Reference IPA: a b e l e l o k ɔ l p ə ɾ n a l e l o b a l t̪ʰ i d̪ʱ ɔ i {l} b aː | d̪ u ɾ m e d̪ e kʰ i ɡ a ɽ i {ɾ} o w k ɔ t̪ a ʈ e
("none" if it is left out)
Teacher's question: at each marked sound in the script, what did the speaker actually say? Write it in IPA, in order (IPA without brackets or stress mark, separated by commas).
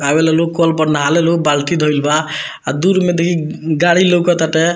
l, l